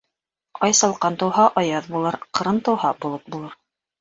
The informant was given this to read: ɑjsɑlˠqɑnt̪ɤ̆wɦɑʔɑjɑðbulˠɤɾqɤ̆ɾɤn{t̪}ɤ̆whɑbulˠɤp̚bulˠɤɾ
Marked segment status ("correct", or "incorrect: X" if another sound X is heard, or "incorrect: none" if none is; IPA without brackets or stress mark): correct